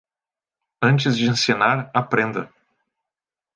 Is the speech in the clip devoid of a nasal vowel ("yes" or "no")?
no